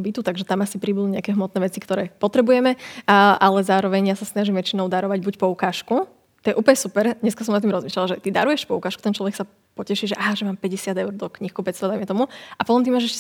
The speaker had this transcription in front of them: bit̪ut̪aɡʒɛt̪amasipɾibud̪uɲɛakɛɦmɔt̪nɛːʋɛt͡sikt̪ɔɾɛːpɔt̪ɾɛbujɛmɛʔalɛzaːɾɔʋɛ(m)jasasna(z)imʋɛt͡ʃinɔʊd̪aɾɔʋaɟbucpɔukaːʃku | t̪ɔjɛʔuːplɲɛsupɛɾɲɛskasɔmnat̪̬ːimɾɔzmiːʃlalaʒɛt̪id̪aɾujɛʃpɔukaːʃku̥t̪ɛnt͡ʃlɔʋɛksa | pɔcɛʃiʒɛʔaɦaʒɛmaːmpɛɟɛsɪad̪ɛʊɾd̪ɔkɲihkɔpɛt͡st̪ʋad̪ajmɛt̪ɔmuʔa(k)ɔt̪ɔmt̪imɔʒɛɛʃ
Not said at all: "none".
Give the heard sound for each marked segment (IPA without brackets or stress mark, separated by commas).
ɲ, ʒ, p